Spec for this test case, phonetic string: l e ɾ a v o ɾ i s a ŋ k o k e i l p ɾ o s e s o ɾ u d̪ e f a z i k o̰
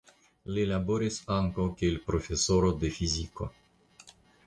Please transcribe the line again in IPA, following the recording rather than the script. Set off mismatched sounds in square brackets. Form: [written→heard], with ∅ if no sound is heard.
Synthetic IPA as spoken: l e [ɾ→l] a [v→b] o ɾ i s a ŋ k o k e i l p ɾ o [s→f] e s o ɾ [u→o] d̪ e f [a→i] z i k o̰

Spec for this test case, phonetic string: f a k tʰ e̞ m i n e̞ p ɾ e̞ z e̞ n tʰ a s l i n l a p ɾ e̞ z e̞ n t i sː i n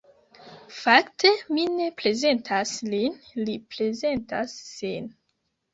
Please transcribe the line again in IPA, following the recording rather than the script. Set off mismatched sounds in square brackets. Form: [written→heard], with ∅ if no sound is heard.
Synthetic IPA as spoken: f a k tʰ e̞ m i n e̞ p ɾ e̞ z e̞ n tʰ a s l i n l [a→i] p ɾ e̞ z e̞ n t [i→a] sː i n

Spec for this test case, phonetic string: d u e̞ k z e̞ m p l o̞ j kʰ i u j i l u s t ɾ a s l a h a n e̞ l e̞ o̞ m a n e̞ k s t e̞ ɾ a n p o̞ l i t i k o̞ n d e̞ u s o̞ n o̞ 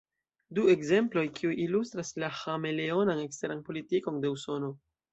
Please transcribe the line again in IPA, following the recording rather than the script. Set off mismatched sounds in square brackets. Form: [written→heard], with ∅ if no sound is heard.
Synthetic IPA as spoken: d u e̞ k z e̞ m p l o̞ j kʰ i u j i l u s t ɾ a s l a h a [n→m] e̞ l e̞ o̞ [m→n] a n e̞ k s t e̞ ɾ a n p o̞ l i t i k o̞ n d e̞ u s o̞ n o̞

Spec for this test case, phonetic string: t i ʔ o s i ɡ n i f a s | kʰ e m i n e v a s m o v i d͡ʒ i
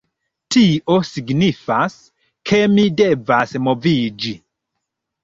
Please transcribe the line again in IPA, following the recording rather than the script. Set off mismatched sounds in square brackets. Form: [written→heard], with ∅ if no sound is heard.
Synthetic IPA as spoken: t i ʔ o s i ɡ n i f a s | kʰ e m i [n→d] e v a s m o v i d͡ʒ i

